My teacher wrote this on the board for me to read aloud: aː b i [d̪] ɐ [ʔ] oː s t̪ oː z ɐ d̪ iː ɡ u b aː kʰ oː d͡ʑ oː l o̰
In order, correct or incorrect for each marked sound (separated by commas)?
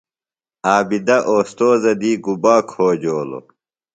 correct, correct